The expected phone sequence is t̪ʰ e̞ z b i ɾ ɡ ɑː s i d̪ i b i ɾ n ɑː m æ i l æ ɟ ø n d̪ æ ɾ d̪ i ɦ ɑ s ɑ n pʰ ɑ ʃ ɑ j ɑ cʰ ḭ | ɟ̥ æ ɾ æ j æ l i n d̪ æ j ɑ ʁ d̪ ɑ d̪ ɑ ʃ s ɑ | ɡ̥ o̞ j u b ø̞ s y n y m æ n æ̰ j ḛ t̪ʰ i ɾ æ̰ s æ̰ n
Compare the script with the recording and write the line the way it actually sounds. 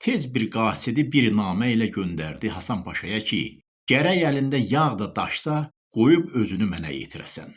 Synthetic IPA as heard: t̪ʰ e̞ z b i ɾ ɡ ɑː s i d̪ i b i ɾ n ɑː m æ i l æ ɟ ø n d̪ æ ɾ d̪ i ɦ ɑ s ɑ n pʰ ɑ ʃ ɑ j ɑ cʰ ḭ | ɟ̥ æ ɾ æ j æ l i n d̪ æ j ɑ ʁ d̪ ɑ d̪ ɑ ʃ s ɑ | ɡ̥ o̞ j u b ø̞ z y n y m æ n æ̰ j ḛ t̪ʰ i ɾ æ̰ s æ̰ n